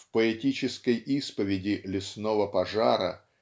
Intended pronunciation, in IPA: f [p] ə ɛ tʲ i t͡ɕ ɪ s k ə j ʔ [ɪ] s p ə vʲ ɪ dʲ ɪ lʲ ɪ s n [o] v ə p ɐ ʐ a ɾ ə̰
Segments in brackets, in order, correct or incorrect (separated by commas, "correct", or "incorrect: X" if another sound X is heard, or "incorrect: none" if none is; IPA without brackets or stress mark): correct, incorrect: i, correct